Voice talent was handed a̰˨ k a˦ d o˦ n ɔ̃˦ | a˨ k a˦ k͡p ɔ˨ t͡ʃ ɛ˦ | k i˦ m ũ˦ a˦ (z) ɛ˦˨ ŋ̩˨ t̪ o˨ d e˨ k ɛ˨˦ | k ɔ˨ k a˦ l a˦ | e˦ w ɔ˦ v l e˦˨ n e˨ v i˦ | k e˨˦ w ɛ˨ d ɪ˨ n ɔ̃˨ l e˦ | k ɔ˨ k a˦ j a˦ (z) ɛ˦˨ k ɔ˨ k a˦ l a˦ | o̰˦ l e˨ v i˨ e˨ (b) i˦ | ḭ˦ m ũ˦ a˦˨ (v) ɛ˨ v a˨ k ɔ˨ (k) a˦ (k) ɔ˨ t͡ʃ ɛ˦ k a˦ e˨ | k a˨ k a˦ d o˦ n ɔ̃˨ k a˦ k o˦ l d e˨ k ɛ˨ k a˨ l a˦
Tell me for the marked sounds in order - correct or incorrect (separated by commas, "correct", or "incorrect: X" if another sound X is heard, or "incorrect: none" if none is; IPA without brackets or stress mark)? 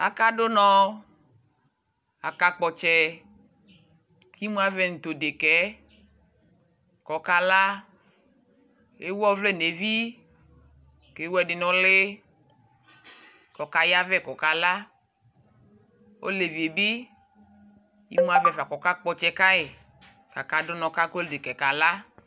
incorrect: v, incorrect: v, correct, correct, correct, incorrect: k͡p